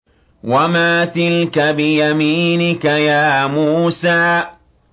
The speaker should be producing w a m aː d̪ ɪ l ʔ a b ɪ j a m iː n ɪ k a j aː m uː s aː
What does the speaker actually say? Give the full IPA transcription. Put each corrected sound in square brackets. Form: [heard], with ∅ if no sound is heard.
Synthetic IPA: w a m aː [t̪] ɪ l [k] a b ɪ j a m iː n ɪ k a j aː m uː s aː

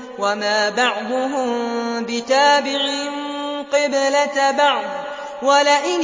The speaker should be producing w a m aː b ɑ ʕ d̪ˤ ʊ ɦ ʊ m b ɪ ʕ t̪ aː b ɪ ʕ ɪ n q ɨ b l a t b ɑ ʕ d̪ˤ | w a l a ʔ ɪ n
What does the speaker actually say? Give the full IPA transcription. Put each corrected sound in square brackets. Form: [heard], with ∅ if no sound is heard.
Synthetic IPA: w a m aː b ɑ ʕ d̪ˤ ʊ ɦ ʊ m b ɪ [∅] t̪ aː b ɪ ʕ ɪ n q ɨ b l a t b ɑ ʕ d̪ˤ | w a l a ʔ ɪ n

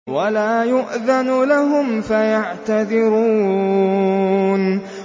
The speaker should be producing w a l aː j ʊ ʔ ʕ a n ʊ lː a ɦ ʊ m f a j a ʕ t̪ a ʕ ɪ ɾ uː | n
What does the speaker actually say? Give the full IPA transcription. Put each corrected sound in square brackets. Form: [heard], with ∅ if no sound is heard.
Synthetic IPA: w a l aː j ʊ ʔ [ð] a n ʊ [l] a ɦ ʊ m f a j a ʕ t̪ a [ð] ɪ ɾ uː | n

